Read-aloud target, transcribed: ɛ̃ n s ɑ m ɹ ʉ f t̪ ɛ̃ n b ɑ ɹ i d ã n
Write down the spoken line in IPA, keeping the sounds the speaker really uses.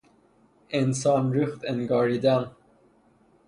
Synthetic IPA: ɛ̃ n s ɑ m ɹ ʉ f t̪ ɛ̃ n ɡ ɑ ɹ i d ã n